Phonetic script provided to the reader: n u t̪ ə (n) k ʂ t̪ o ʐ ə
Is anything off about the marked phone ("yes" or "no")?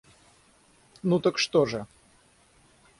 yes